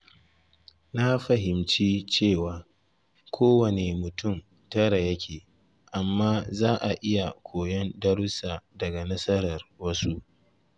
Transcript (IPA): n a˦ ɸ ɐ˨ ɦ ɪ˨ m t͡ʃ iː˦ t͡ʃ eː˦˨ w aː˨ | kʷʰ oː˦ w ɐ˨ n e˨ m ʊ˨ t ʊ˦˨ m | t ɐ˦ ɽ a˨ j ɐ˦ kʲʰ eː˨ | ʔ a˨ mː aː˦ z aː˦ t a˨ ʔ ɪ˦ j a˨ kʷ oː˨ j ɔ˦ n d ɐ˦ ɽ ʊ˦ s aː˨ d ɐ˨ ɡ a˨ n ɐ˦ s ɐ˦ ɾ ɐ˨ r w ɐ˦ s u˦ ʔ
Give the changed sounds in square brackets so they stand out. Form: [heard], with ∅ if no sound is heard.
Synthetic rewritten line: n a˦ ɸ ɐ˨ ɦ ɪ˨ m t͡ʃ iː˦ t͡ʃ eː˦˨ w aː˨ | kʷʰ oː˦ w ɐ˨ n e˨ m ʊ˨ t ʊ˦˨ m | t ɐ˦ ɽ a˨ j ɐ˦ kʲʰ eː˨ | ʔ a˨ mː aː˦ z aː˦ [ʔ] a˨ ʔ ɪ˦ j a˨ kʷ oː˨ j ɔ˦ n d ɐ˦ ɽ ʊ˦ s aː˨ d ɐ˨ ɡ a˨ n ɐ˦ s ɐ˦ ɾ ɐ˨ r w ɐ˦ s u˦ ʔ

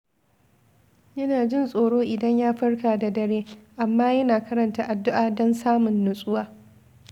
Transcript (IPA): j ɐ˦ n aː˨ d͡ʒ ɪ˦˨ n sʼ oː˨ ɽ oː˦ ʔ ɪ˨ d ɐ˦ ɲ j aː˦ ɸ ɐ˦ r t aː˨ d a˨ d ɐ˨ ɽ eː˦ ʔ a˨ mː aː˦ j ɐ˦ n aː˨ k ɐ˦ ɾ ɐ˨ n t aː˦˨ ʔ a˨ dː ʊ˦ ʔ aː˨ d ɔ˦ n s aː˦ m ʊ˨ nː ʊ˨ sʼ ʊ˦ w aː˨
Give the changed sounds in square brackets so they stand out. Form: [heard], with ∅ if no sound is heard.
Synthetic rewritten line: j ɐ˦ n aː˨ d͡ʒ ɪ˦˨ n sʼ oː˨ ɽ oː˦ ʔ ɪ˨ d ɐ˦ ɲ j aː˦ ɸ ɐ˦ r [k] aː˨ d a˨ d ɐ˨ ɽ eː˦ ʔ a˨ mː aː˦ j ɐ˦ n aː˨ k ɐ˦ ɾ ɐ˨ n t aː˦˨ ʔ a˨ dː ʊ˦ ʔ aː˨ d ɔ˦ n s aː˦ m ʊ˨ nː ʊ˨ sʼ ʊ˦ w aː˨

